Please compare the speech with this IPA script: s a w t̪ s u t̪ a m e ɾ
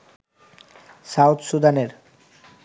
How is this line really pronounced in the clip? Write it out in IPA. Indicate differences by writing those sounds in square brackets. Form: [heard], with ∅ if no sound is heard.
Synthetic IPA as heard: s a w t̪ s u [d̪] a [n] e ɾ